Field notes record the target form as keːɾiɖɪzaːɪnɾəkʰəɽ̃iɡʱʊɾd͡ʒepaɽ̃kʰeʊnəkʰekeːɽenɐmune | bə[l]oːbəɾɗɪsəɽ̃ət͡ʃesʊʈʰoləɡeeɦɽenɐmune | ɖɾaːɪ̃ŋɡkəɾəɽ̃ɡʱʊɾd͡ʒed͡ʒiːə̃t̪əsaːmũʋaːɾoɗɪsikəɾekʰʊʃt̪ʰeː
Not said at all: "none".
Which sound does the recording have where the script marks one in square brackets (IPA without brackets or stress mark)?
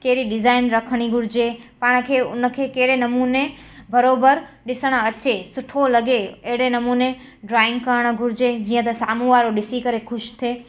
ɾ